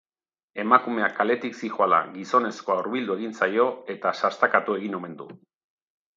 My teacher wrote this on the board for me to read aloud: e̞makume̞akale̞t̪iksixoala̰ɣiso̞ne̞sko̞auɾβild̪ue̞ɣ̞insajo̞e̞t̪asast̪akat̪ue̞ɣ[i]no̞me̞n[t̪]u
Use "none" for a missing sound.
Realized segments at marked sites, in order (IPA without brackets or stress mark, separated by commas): i, d̪